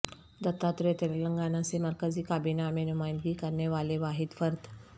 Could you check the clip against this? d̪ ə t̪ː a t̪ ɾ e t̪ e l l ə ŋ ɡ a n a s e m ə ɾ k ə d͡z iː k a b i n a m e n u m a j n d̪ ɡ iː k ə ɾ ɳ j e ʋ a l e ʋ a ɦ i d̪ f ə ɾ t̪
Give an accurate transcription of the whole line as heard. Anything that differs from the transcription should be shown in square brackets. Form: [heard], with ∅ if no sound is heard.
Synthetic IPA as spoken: d̪ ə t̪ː a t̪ ɾ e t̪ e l l ə ŋ ɡ a n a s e m ə ɾ k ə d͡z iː k a b i n a m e n u m a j n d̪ ɡ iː k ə ɾ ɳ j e ʋ a l e ʋ a ɦ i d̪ f ə ɾ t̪